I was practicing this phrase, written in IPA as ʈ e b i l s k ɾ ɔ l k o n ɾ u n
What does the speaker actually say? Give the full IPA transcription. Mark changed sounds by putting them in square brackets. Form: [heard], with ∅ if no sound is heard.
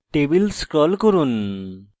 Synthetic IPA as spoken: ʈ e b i l s k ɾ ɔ l k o [∅] ɾ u n

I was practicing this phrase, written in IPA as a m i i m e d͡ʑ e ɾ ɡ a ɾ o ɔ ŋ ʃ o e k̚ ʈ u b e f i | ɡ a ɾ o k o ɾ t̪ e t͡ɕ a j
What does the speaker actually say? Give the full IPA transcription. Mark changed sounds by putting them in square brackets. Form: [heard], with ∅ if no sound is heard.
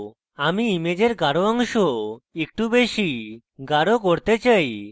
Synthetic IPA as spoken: a m i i m e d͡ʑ e ɾ ɡ a ɾ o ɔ ŋ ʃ o e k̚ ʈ u b e [ʃ] i | ɡ a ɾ o k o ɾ t̪ e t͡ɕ a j

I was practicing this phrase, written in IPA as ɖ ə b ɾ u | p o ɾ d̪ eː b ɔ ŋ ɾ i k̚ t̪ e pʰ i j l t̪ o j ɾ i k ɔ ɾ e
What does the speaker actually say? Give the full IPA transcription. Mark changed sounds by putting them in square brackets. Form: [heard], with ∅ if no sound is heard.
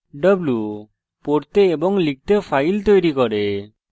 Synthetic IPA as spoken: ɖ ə b [l] u | p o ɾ [t̪] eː b ɔ ŋ [l] i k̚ t̪ e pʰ [a] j l t̪ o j ɾ i k ɔ ɾ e

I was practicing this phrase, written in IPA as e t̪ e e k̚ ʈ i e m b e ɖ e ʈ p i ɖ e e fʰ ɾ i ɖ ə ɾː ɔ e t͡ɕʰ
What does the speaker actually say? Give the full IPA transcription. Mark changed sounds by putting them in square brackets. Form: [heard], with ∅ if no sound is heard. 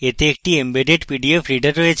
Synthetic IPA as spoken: e t̪ e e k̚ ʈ i e m b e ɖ e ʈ p i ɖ [i] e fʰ ɾ i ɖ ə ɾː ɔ e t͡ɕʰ

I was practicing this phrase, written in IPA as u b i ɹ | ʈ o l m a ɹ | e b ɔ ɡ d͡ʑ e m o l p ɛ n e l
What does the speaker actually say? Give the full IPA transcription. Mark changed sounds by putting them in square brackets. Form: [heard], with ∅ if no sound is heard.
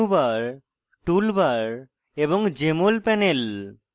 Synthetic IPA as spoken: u b [a] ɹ | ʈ [u] l [b] a ɹ | e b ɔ [ŋ] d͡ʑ e m o l p ɛ n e l

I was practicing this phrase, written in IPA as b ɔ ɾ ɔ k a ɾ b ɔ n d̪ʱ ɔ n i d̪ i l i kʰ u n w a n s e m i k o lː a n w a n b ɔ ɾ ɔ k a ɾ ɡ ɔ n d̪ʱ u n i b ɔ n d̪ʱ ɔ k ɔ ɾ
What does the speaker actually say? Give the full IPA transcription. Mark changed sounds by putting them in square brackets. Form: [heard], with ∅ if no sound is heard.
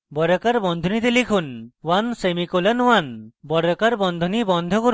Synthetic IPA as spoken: b ɔ ɾ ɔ k a ɾ b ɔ n d̪ʱ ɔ n i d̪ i l i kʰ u n w a n s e m i k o [l] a n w a n b ɔ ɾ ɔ k a ɾ [b] ɔ n d̪ʱ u n i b ɔ n d̪ʱ ɔ k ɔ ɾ

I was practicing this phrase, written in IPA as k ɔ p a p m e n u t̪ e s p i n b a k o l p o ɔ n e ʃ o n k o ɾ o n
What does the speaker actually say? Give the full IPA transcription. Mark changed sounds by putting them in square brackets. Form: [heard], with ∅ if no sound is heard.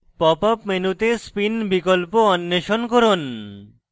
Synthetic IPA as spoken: [p] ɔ p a p m e n u t̪ e s p i n b [i] k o l p o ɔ [nː] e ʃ o n k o ɾ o n

